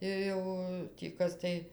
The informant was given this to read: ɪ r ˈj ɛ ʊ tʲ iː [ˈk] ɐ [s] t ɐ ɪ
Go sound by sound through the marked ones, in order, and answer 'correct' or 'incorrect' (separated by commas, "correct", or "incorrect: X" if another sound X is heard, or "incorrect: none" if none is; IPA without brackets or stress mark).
correct, correct